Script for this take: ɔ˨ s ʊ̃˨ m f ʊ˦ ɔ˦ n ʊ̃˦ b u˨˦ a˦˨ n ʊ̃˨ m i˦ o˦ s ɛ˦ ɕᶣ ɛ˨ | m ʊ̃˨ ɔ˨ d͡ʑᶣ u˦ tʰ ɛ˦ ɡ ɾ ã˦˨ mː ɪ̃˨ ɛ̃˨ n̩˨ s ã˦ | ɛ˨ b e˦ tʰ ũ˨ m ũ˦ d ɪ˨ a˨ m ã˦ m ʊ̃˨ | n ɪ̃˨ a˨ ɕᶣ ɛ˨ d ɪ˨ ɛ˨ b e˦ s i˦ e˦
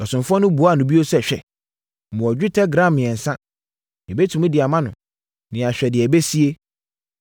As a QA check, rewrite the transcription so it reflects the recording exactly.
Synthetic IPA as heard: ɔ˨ s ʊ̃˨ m f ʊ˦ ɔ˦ n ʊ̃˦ b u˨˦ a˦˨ n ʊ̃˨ b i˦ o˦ s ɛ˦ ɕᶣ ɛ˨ | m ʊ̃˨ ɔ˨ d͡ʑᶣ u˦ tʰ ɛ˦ ɡ ɾ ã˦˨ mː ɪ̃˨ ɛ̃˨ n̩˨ s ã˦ | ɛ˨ b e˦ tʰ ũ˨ m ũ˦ d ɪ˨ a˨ m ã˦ n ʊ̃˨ | n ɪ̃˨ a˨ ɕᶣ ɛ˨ d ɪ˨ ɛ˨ b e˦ s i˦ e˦